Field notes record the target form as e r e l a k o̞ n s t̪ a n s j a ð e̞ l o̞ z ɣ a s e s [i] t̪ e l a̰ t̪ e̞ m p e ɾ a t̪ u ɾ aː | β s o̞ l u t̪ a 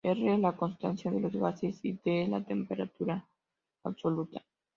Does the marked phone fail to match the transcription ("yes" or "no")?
no